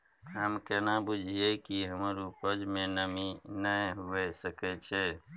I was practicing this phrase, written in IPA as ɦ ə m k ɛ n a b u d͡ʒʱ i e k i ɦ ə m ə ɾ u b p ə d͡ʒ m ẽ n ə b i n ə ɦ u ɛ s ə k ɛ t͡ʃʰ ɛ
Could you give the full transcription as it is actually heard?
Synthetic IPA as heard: ɦ ə m k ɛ n a b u d͡ʒʱ i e k i ɦ ə m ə ɾ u p ə d͡ʒ m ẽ n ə m i n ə ɦ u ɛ s ə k ɛ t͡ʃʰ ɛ

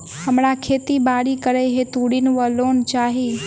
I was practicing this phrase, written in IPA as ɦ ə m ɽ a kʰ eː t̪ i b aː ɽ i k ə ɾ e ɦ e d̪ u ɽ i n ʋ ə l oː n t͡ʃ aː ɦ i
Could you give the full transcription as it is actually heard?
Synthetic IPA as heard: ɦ ə m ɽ a kʰ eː t̪ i b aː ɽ i k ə ɾ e ɦ e t̪ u ɽ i n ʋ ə l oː n t͡ʃ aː ɦ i

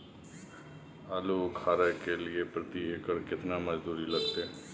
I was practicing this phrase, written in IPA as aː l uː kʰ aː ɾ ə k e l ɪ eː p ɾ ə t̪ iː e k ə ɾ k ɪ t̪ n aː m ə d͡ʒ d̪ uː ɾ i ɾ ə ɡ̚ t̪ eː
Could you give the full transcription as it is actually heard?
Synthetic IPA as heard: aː l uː kʰ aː ɾ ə k e l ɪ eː p ɾ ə t̪ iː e k ə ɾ k ɪ t̪ n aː m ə d͡ʒ d̪ uː ɾ i l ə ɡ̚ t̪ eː

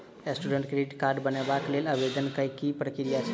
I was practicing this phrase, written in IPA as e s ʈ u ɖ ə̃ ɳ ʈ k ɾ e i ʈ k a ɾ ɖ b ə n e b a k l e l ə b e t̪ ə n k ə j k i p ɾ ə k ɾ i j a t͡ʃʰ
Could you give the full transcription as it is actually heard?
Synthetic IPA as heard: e s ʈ u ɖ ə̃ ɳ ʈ k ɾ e i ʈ k a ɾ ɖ b ə n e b a k l e l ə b e d̪ ə n k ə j k i p ɾ ə k ɾ i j a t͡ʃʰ

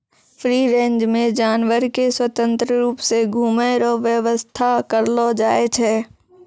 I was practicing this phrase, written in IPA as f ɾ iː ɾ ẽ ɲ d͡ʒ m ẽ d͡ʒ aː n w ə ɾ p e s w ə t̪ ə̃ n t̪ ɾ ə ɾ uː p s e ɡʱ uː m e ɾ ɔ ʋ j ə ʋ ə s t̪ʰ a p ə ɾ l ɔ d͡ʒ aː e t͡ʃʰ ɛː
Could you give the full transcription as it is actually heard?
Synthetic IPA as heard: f ɾ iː ɾ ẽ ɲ d͡ʒ m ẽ d͡ʒ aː n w ə ɾ k e s w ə t̪ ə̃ n t̪ ɾ ə ɾ uː p s e ɡʱ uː m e ɾ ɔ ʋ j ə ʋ ə s t̪ʰ a k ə ɾ l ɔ d͡ʒ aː e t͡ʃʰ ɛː

